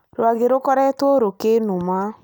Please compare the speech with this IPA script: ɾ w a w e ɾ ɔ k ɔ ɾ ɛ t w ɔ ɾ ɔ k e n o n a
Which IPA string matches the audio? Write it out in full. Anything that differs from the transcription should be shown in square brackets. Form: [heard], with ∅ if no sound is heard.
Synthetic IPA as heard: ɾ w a [ɣ] e ɾ [o] k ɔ ɾ ɛ t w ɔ ɾ [o] k e n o [m] a

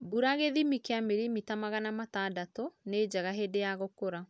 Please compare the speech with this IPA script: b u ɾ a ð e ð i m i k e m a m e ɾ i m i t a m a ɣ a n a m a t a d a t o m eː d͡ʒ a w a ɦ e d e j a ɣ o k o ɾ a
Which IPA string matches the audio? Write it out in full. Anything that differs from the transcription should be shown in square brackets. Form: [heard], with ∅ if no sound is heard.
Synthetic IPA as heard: b u ɾ a [ɣ] e ð i m i k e [∅] a m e ɾ i m i t a m a ɣ a n a m a t a d a t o [n] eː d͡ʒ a [ɣ] a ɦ e d e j a ɣ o k o ɾ a

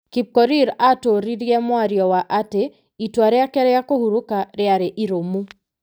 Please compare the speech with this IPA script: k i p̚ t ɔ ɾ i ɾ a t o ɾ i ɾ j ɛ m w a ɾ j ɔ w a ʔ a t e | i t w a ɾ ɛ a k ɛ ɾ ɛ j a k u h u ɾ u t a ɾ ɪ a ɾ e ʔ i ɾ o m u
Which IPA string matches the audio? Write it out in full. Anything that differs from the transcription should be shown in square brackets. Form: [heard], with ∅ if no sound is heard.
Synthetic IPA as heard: k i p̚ [k] ɔ ɾ i ɾ a t o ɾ i ɾ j ɛ m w a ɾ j ɔ w a ʔ a t e | i t w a ɾ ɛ a k ɛ ɾ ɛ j a k [o] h u ɾ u [k] a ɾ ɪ a ɾ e ʔ i ɾ o m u

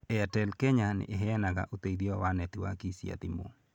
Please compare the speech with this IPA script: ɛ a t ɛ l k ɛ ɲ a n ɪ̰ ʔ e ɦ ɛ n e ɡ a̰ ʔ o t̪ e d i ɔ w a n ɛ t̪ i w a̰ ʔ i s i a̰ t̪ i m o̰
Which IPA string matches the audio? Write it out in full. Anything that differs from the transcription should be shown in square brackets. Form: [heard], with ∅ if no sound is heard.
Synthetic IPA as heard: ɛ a t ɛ l k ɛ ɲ a n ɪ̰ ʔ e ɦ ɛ n [a] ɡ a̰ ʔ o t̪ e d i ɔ w a n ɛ t̪ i w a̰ [k] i s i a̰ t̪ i m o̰

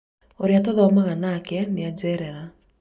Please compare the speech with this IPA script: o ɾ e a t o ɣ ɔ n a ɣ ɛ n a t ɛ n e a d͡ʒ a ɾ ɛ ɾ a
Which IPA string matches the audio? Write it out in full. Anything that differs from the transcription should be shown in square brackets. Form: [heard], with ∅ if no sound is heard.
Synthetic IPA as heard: o ɾ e a t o [ð] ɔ [m] a ɣ [a] n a [k] ɛ n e a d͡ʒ [ɛ] ɾ ɛ ɾ a

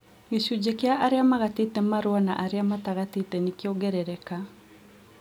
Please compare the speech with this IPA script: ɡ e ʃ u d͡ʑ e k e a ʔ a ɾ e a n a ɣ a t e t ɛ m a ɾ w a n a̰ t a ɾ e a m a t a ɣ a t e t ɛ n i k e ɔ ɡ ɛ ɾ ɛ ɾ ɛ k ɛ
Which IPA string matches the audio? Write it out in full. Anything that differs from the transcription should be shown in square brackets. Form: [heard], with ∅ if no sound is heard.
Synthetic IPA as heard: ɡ e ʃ u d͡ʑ e k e a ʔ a ɾ e a [m] a ɣ a t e t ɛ m a ɾ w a n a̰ [ʔ] a ɾ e a m a t a ɣ a t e t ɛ n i k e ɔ ɡ ɛ ɾ ɛ ɾ ɛ k [a]

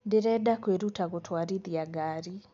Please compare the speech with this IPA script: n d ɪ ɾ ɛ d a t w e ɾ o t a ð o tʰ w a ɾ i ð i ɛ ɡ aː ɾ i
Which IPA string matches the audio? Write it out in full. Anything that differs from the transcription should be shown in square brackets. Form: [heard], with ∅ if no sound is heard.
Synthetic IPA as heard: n d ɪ ɾ ɛ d a [k] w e ɾ [u] t a [ɣ] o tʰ w a ɾ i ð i [a] ɡ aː ɾ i

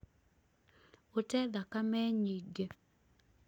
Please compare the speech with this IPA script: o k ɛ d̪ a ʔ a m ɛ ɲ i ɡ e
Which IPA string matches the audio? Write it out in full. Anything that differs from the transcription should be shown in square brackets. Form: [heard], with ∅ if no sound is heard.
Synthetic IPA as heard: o [t] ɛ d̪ a [k] a m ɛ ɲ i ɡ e

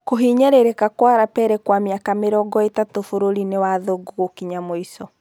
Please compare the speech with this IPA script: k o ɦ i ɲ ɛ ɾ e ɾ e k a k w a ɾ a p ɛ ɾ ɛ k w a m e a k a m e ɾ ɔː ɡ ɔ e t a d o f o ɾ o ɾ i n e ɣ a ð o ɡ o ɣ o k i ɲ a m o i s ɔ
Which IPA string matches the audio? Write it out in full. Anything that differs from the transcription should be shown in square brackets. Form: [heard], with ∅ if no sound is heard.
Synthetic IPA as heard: k o ɦ i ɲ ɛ ɾ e ɾ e k a k w a ɾ a p ɛ ɾ ɛ k w a m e a k a m e ɾ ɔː ɡ ɔ e t a [t] o f o ɾ o ɾ i n e [w] a ð o ɡ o ɣ o k i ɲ a m o i s ɔ

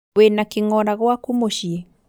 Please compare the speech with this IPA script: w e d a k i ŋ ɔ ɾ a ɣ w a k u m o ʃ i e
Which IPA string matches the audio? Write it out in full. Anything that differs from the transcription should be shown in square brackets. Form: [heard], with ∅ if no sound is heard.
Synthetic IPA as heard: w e [n] a k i ŋ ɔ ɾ a ɣ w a k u m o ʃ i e

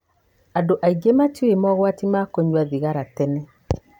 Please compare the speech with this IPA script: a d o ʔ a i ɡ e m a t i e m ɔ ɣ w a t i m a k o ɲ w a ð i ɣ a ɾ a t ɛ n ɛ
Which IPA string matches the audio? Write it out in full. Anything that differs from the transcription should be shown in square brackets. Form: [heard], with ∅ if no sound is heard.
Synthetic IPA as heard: a d o ʔ a i ɡ e m a t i e m ɔ ɣ w a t i m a k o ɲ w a ð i ɣ a ɾ a t ɛ n ɛ

